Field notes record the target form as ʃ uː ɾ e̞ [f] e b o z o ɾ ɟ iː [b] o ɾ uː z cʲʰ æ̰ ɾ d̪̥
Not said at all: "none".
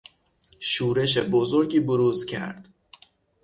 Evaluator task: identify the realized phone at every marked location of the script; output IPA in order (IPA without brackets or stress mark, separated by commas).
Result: ʃ, b